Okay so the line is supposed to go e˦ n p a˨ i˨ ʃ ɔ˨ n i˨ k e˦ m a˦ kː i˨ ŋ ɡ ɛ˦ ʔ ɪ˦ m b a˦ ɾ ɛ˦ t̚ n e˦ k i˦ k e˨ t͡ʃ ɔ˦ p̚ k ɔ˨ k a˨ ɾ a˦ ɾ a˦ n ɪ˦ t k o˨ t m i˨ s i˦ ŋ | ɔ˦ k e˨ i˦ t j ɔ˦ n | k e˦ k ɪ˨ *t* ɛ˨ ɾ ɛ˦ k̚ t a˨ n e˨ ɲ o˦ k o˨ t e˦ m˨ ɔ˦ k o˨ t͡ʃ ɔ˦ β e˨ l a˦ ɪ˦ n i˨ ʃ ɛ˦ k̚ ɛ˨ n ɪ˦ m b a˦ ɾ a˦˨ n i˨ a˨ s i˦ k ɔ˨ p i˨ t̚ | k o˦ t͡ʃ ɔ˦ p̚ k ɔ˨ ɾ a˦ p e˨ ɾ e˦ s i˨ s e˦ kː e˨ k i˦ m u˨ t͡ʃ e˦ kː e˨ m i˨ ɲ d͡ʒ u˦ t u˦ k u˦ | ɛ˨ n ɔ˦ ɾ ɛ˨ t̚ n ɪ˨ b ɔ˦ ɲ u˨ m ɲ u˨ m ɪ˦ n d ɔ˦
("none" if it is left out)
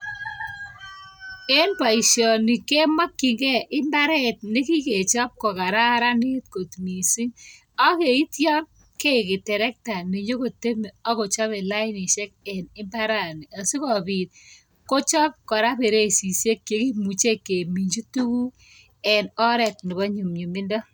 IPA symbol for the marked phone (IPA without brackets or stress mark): t